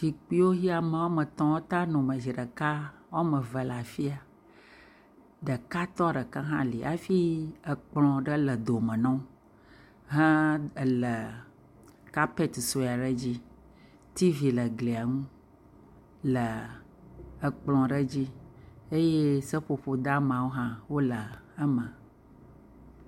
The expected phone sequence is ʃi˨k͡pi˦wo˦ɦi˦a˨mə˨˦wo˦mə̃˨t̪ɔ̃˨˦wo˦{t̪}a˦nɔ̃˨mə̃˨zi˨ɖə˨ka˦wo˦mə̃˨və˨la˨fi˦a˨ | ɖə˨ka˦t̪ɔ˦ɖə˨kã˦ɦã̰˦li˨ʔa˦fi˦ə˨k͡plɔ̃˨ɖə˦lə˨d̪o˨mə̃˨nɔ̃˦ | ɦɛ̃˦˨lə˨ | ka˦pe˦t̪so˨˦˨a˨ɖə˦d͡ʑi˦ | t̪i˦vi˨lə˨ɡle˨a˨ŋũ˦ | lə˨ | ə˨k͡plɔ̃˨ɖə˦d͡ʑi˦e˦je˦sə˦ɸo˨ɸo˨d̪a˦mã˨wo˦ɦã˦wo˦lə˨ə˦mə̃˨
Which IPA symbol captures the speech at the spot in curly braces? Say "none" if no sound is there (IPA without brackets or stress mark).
t̪